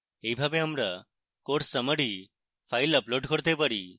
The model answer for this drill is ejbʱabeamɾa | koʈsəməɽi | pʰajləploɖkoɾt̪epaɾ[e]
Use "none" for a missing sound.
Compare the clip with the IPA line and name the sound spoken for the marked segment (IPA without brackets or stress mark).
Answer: i